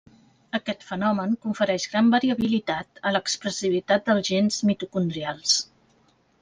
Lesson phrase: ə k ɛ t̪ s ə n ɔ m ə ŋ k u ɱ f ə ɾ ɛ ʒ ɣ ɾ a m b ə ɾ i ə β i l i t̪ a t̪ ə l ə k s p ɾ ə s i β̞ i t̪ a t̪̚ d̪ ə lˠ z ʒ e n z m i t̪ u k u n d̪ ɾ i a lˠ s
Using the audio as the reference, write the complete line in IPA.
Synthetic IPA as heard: ə k ɛ t̪ f ə n ɔ m ə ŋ k u ɱ f ə ɾ ɛ ʒ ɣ ɾ a m b ə ɾ i ə β i l i t̪ a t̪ ə l ə k s p ɾ ə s i β̞ i t̪ a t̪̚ d̪ ə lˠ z ʒ e n z m i t̪ u k u n d̪ ɾ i a lˠ s